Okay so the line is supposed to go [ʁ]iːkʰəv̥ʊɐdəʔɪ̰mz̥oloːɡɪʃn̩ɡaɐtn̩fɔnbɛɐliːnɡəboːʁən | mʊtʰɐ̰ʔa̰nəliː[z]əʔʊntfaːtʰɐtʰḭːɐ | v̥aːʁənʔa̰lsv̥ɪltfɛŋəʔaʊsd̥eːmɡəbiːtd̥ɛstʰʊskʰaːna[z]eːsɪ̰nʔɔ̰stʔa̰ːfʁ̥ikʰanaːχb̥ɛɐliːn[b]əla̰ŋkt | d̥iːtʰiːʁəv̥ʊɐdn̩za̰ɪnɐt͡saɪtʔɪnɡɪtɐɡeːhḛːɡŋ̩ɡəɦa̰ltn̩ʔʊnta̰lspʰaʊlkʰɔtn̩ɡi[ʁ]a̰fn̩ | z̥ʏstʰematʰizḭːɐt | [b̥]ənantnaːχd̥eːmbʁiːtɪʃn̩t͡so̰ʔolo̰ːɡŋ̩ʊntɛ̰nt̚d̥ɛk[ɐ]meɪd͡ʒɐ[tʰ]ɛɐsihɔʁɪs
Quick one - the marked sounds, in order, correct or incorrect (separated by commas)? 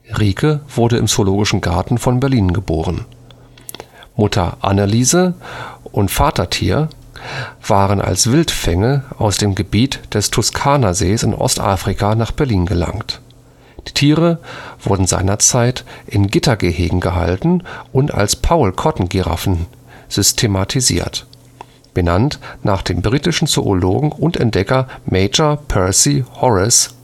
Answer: correct, correct, correct, incorrect, correct, correct, correct, incorrect